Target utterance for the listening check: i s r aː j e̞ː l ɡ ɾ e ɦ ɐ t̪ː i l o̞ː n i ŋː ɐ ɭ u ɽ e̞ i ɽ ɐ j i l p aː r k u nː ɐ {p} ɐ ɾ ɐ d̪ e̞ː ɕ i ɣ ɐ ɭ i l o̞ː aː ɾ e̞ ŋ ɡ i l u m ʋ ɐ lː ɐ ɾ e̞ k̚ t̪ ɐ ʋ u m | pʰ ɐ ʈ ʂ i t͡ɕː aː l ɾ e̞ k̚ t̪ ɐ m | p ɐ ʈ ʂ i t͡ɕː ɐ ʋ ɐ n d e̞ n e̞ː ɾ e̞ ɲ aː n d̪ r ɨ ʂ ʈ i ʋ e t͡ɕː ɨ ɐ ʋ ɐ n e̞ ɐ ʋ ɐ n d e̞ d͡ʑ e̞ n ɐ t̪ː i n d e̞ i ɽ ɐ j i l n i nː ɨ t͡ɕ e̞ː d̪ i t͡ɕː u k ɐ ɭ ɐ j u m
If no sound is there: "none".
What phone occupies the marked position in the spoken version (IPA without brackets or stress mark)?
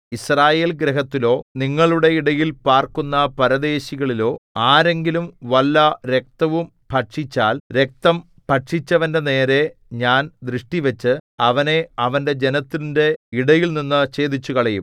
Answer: p